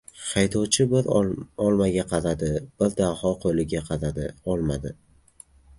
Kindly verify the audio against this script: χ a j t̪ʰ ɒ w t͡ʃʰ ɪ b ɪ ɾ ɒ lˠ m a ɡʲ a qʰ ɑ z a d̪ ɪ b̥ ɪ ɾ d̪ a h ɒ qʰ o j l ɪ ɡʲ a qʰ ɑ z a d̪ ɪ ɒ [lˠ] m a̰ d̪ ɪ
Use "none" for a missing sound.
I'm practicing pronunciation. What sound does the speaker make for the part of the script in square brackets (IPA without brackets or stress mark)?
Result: lˠ